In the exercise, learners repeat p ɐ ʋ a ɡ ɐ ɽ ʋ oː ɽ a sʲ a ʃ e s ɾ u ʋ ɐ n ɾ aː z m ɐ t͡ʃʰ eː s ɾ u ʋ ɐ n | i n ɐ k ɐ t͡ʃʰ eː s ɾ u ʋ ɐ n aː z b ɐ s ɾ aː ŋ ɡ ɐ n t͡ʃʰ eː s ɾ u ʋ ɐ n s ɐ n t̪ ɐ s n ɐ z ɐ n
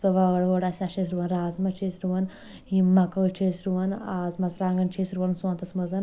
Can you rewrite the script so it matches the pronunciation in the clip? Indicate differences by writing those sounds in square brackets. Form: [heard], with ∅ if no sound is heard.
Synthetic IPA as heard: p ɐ ʋ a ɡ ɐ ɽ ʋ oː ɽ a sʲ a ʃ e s ɾ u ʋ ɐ n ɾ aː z m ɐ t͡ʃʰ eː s ɾ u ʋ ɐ n | i [m] ɐ k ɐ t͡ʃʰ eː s ɾ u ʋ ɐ n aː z [m] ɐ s ɾ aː ŋ ɡ ɐ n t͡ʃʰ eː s ɾ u ʋ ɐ n s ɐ n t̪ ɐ s [m] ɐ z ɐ n